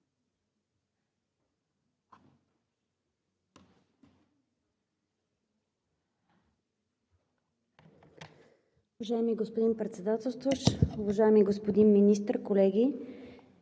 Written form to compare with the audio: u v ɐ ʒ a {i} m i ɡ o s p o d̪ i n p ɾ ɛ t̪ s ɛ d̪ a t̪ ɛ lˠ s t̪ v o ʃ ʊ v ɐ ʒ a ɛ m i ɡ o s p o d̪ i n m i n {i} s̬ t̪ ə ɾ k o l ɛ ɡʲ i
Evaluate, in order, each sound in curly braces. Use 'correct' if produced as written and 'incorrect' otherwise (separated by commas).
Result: incorrect, correct